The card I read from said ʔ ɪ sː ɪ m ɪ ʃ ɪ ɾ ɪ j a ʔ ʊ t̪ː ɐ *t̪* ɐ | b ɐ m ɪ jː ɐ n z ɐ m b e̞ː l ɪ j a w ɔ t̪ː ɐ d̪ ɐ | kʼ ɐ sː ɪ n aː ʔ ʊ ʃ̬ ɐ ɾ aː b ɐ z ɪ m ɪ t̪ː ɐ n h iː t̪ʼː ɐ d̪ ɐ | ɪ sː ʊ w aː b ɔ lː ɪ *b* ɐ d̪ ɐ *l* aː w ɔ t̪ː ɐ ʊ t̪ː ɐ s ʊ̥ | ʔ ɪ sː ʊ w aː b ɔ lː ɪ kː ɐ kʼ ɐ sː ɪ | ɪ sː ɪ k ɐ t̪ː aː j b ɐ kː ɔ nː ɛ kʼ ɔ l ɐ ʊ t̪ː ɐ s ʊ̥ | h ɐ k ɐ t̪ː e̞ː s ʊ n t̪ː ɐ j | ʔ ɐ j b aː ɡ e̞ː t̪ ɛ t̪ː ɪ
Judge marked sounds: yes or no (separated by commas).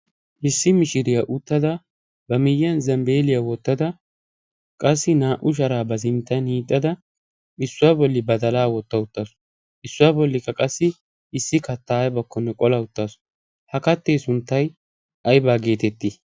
no, yes, yes